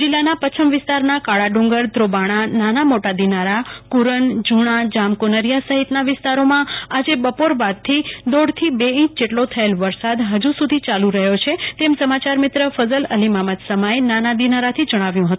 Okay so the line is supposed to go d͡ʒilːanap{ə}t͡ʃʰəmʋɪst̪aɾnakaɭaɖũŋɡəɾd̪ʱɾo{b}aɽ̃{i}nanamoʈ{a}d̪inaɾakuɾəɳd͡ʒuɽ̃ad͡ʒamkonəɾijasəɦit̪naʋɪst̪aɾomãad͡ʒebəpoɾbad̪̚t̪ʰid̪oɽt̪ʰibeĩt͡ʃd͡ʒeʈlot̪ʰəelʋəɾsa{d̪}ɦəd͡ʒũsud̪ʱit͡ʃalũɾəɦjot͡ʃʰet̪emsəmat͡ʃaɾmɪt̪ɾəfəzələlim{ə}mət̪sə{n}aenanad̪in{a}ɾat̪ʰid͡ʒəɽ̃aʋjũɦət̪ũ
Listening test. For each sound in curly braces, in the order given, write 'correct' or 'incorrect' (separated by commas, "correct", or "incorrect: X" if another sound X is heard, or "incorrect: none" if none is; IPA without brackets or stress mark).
correct, correct, incorrect: a, correct, correct, incorrect: a, incorrect: m, correct